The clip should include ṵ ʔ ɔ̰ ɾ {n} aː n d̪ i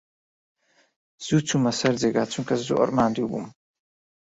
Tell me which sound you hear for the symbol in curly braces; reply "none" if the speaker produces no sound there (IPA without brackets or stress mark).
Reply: m